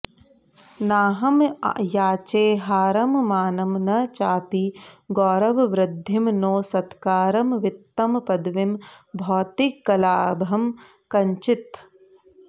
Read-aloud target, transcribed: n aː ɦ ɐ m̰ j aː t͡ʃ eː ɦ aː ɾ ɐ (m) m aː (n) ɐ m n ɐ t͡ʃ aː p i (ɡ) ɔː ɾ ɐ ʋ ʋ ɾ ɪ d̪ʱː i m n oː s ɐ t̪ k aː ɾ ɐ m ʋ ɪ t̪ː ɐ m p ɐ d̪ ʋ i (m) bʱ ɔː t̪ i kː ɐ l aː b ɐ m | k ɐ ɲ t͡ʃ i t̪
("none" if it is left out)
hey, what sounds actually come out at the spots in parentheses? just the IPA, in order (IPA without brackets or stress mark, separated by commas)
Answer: m, n, ɡ, m